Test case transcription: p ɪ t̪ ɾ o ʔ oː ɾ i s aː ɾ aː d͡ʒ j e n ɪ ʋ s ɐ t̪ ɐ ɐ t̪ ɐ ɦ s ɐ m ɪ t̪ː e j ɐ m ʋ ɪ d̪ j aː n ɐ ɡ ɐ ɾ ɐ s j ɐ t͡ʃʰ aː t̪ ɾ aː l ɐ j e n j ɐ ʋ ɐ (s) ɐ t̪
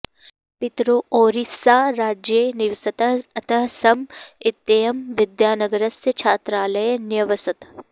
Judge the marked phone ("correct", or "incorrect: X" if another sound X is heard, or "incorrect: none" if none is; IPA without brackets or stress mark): correct